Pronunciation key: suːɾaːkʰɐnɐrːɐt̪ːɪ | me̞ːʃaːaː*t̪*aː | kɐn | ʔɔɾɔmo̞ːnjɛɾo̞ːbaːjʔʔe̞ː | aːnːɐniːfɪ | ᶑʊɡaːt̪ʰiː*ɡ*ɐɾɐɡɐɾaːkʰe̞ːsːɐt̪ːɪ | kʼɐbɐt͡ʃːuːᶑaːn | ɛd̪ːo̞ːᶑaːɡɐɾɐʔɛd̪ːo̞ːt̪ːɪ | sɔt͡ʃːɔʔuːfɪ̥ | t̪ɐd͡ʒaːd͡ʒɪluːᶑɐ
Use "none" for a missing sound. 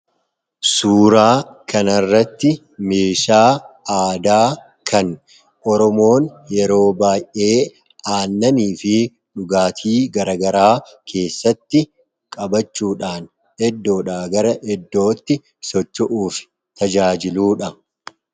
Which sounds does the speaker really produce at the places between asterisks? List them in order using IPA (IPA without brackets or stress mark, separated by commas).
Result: d̪, ɡ